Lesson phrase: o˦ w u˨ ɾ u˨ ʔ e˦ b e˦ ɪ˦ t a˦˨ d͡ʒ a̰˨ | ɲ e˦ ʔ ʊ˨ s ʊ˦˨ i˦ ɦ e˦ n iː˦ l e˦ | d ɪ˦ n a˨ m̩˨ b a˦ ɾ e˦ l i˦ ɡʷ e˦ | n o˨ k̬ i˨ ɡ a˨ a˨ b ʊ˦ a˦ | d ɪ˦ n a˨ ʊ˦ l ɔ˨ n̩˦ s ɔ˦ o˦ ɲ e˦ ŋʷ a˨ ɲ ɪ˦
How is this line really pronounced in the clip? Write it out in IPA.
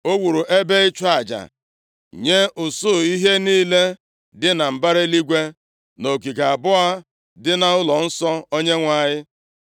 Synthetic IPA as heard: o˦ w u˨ ɾ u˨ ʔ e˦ b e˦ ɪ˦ t͡ʃ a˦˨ d͡ʒ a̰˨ | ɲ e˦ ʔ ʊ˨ s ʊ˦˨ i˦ ɦ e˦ n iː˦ l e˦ | d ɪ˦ n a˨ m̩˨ b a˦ ɾ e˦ l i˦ ɡʷ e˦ | n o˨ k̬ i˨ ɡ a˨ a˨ b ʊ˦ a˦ | d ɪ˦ n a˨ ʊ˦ l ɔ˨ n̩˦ s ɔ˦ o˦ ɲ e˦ ŋʷ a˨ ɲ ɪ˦